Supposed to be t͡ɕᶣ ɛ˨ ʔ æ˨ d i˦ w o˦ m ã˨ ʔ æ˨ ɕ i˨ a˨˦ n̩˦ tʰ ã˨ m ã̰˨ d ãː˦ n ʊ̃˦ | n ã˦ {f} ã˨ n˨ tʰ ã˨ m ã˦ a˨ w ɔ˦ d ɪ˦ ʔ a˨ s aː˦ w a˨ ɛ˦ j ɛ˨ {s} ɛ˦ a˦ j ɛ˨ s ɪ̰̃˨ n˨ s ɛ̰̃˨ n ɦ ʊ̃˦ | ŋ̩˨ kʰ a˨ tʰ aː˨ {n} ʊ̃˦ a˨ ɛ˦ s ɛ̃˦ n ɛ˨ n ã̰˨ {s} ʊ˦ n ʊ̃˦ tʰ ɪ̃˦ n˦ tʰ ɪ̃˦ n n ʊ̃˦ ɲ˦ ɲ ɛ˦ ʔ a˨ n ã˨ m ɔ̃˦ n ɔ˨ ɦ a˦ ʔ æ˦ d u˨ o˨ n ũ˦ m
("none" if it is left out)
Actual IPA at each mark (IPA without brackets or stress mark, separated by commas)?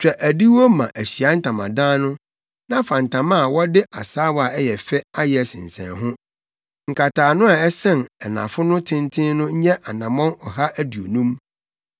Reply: f, f, n, f